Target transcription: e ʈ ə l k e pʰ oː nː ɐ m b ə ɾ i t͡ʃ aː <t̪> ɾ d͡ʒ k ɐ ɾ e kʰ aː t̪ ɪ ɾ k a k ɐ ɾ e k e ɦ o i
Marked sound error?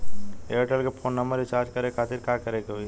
yes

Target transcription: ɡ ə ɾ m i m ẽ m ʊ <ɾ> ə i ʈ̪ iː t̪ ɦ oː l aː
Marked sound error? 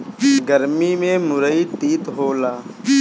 no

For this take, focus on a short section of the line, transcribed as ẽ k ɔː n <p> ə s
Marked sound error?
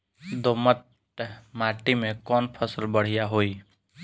yes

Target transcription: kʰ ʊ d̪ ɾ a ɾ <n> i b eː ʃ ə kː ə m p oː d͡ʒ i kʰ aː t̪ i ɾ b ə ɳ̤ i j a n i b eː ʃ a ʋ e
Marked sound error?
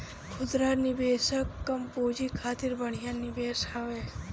no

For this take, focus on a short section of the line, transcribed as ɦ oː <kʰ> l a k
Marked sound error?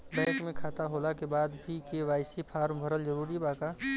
yes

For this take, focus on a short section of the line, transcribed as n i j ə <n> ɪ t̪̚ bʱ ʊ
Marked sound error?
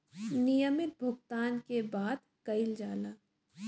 yes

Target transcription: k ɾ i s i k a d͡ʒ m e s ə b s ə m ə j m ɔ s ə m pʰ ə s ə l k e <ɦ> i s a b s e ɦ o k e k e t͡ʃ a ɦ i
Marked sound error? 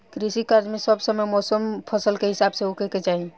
no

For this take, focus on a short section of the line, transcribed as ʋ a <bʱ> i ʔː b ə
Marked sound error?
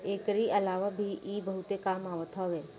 no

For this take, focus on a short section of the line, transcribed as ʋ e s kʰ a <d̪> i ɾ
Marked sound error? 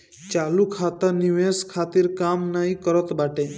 yes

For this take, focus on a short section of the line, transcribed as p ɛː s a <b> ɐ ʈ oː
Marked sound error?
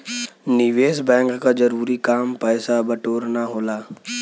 no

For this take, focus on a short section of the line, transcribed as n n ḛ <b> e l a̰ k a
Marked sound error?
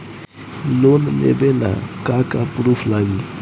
no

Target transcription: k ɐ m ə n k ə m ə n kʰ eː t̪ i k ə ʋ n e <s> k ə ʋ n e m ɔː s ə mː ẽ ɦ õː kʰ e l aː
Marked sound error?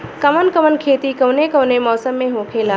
yes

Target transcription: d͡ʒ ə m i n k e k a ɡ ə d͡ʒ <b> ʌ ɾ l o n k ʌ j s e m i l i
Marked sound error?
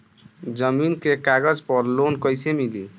yes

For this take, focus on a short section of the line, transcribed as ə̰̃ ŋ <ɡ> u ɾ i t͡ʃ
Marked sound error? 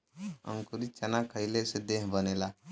yes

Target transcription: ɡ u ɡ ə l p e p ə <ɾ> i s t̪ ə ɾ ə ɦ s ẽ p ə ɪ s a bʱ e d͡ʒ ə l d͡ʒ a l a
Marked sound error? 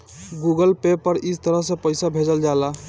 no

